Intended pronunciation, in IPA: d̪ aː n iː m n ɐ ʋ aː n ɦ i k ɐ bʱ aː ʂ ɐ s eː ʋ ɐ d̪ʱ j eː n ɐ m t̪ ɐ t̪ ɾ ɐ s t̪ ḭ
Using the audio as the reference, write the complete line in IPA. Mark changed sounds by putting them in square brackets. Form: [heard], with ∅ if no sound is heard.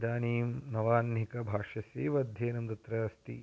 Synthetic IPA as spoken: d̪ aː n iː m n ɐ ʋ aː n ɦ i k ɐ bʱ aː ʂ ɐ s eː ʋ ɐ d̪ʱ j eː n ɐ m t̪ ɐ t̪ ɾ ɐ s t̪ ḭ